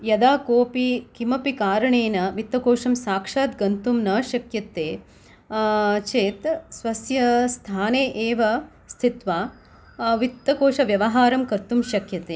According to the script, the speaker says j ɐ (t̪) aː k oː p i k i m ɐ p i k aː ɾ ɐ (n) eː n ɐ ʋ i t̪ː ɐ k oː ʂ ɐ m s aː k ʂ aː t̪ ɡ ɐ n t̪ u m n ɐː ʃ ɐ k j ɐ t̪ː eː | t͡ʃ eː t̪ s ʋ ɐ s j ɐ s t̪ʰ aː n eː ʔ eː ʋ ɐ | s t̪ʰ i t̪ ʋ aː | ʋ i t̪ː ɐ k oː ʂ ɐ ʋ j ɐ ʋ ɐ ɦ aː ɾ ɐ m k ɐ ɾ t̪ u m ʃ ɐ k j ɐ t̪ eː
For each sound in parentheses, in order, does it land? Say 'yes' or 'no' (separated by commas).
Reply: no, no